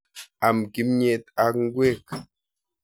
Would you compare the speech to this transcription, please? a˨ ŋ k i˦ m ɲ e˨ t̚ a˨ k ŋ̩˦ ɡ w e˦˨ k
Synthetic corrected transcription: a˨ m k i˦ m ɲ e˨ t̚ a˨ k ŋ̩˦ ɡ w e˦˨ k